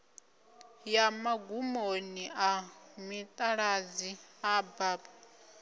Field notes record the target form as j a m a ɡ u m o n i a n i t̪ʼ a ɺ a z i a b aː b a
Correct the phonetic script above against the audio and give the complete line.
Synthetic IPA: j a m a ɡ u m o n i a m i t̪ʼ a ɺ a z i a b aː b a